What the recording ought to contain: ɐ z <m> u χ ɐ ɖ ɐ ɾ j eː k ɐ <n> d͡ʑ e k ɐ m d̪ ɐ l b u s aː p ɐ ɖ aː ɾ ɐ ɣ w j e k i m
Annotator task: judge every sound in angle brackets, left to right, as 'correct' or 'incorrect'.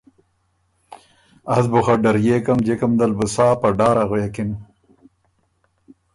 incorrect: b, incorrect: m

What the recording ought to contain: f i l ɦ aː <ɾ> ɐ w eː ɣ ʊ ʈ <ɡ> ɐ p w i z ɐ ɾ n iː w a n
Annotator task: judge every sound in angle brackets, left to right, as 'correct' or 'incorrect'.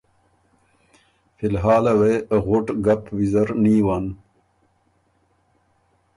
incorrect: l, correct

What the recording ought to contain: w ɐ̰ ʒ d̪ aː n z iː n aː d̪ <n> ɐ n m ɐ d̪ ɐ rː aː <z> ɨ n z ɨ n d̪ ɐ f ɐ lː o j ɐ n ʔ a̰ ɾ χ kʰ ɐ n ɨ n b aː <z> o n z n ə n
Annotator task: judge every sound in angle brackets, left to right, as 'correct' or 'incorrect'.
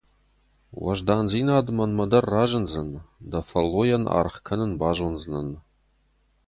incorrect: m, incorrect: ʒ, incorrect: ʒ

